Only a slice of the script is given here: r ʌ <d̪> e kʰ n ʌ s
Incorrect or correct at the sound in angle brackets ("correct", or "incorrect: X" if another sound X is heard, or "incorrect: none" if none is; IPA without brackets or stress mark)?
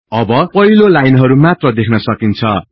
correct